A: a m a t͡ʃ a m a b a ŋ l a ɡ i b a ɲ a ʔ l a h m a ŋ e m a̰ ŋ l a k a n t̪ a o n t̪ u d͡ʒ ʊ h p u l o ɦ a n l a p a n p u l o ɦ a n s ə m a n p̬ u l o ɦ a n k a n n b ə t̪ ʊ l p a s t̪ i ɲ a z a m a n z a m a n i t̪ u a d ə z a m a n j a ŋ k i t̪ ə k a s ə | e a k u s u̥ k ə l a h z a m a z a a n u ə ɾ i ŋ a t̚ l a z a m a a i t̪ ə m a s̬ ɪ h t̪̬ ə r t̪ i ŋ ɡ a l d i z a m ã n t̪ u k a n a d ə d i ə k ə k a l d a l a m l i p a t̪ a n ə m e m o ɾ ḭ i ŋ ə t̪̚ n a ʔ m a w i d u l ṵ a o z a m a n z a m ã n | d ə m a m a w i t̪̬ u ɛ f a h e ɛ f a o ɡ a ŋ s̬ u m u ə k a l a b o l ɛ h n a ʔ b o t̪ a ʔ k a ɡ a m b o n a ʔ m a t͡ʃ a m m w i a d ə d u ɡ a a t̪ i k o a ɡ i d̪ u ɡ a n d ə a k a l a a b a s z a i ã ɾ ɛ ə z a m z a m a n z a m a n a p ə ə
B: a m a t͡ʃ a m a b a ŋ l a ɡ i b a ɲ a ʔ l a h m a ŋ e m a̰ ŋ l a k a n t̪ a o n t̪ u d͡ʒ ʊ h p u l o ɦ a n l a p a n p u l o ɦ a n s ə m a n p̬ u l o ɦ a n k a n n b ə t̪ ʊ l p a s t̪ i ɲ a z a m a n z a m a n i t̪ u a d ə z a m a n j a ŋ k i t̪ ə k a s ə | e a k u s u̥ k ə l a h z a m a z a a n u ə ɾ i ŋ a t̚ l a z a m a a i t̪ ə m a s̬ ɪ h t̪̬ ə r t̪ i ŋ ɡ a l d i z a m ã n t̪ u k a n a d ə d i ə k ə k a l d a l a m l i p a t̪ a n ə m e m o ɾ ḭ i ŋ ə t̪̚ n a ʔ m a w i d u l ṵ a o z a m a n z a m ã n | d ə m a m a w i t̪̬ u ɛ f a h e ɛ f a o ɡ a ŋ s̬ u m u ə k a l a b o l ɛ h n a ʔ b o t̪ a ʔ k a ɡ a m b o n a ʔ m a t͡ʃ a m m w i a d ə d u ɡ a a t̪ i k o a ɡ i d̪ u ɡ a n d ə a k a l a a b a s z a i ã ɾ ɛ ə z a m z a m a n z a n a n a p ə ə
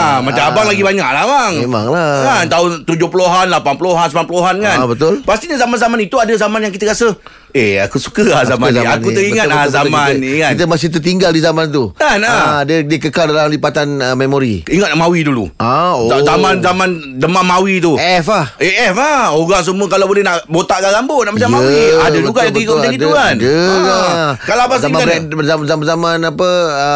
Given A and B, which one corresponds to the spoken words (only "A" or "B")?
A